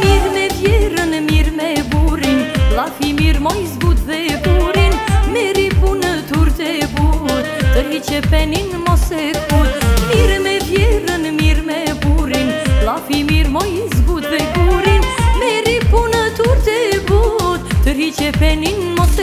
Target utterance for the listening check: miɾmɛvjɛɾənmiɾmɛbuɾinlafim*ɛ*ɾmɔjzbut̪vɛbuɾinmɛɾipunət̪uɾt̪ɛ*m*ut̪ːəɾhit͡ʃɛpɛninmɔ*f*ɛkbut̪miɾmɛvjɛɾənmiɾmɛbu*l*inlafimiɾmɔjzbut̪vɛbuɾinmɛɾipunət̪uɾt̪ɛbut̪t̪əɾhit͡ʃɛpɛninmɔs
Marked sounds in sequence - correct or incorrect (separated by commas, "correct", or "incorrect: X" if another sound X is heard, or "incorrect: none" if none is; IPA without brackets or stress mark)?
incorrect: i, incorrect: b, incorrect: s, incorrect: ɾ